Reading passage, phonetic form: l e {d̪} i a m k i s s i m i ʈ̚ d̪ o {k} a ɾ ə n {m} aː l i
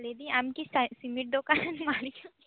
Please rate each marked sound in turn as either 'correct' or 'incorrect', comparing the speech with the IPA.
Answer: correct, correct, correct

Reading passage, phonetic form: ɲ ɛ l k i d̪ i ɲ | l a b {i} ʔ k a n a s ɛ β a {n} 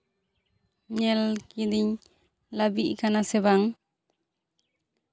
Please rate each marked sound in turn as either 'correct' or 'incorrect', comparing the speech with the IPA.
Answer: correct, incorrect: ŋ

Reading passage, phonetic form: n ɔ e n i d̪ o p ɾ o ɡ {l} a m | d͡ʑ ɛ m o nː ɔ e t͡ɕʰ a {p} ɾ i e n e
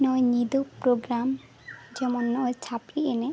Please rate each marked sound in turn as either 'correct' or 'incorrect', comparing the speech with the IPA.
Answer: incorrect: ɾ, correct

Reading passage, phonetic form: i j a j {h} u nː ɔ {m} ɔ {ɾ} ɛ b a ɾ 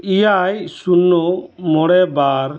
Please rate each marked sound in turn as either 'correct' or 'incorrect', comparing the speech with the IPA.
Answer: incorrect: s, correct, incorrect: ɽ

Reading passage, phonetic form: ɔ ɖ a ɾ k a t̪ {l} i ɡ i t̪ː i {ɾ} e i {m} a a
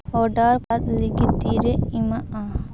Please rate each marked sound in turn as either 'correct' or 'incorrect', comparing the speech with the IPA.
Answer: correct, correct, correct

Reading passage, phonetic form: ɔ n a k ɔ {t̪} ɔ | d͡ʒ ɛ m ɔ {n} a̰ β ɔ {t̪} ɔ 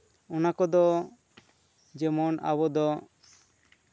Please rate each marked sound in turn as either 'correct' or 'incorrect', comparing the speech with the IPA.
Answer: incorrect: d̪, correct, incorrect: d̪

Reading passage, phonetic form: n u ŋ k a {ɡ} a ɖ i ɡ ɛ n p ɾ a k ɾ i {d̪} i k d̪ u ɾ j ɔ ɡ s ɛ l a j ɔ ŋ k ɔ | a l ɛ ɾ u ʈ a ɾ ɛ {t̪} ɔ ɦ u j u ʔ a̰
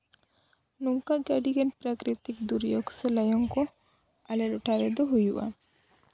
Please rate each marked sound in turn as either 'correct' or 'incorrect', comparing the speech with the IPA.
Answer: correct, incorrect: t̪, incorrect: d̪

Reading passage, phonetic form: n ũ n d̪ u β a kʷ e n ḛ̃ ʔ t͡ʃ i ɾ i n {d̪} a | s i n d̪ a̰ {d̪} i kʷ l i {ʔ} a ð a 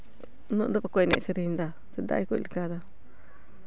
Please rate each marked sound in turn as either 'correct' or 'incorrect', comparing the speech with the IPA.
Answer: correct, incorrect: none, incorrect: k

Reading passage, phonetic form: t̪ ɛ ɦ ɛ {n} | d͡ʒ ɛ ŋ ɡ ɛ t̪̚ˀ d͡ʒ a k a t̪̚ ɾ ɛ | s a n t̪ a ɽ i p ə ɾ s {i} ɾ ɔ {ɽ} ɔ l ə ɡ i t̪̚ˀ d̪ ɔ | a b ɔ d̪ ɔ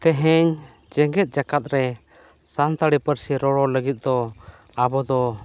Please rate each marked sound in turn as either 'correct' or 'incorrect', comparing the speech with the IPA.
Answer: incorrect: ɲ, correct, correct

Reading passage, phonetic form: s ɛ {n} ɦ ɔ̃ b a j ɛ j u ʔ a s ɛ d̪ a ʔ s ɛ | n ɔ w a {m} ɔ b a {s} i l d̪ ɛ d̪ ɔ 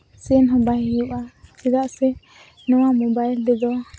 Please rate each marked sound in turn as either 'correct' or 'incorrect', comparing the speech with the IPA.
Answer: correct, correct, incorrect: none

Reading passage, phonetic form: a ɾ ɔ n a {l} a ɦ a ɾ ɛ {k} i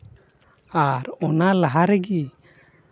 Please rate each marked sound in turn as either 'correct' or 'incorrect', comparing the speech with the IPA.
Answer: correct, incorrect: ɡ

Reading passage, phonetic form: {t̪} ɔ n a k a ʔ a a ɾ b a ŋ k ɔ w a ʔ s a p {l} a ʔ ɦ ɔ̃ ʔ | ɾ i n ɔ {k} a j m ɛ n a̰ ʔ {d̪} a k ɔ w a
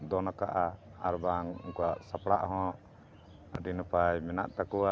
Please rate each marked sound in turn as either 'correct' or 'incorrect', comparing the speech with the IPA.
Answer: incorrect: d̪, incorrect: ɽ, incorrect: p, incorrect: t̪

